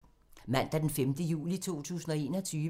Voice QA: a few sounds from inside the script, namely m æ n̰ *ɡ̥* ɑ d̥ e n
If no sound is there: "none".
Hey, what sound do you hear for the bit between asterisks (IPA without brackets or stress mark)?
d̥